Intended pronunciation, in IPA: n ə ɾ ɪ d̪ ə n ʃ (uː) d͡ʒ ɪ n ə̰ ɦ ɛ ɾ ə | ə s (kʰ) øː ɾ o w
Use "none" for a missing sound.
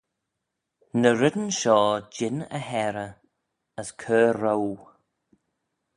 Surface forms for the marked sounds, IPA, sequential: ɔː, kʰ

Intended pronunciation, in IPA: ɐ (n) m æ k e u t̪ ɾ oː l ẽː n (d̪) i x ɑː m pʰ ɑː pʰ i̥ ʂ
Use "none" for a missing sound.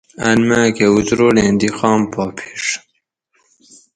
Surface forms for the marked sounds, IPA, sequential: n, d̪

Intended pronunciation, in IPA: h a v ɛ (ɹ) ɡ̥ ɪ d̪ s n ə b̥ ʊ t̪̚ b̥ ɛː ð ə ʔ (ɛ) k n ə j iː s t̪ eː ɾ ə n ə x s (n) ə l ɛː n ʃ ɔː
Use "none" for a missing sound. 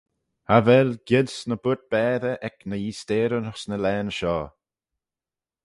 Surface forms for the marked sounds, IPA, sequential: l, ɛ, n

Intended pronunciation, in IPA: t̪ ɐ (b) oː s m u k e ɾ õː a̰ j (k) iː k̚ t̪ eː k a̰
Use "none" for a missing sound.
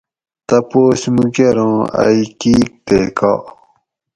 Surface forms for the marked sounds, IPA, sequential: p, k

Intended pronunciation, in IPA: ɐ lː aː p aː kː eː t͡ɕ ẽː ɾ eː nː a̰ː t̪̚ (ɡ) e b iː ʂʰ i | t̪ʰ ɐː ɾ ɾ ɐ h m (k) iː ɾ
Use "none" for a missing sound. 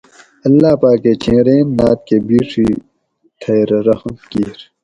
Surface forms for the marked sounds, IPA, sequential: k, k

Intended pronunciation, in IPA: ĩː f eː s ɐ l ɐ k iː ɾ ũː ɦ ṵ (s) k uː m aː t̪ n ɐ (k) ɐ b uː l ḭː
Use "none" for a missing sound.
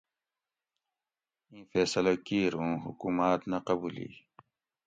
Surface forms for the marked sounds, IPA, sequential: none, q

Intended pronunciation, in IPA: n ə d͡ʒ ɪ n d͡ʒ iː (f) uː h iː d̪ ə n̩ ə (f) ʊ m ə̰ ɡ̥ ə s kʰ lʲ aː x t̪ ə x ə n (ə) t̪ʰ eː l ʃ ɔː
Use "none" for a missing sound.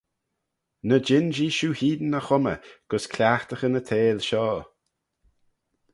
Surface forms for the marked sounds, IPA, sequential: ʃ, x, ə

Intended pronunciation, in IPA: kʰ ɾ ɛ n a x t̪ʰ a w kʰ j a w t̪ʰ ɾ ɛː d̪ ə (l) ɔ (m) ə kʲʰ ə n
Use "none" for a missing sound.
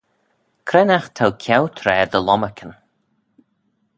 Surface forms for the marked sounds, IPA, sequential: l, m

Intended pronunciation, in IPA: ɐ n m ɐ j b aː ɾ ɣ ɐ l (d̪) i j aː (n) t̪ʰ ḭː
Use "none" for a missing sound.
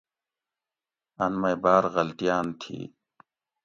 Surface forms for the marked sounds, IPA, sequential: t̪, n

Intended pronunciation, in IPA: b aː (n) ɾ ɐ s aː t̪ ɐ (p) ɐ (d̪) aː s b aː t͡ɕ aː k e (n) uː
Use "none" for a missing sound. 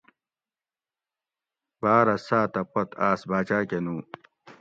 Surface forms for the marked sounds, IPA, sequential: none, p, t̪, n

